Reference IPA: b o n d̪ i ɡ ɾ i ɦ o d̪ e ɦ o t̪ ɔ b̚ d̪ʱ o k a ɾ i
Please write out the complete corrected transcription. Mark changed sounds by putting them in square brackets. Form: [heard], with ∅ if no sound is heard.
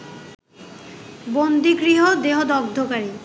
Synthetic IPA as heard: b o n d̪ i ɡ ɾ i ɦ o d̪ e ɦ o [d̪] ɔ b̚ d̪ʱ o k a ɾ i

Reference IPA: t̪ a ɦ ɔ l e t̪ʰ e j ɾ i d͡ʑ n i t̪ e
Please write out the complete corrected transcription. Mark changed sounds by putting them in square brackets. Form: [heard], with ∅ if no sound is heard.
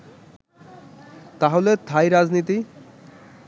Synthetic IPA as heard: t̪ a ɦ [o] l e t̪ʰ [a] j ɾ [a] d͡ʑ n i t̪ [i]

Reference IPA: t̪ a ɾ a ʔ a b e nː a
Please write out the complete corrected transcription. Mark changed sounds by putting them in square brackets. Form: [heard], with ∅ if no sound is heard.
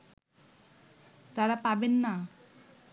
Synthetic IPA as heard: t̪ a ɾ a [p] a b e nː a

